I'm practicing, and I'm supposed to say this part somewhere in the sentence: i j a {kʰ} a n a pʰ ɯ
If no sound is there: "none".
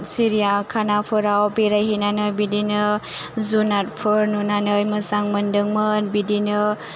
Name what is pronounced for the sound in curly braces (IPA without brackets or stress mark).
kʰ